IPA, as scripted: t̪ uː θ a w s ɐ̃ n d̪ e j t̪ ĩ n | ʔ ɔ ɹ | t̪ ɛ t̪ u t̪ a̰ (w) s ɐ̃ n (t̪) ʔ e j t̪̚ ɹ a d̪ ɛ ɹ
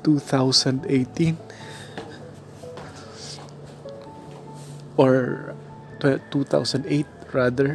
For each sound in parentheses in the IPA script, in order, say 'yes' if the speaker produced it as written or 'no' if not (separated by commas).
yes, no